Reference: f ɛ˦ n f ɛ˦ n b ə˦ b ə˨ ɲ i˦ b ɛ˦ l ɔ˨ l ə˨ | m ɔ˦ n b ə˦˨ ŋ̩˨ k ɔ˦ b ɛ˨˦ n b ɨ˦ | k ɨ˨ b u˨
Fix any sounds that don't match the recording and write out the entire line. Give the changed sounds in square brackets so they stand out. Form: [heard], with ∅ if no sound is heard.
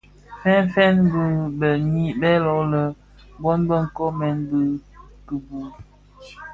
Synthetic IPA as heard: f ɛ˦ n f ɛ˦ n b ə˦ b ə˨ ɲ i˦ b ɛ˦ l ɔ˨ l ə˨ | [b] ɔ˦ n b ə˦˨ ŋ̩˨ k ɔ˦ [m] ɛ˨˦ n b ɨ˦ | k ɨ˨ b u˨